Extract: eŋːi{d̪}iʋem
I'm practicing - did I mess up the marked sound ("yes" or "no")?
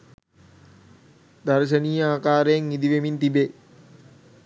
no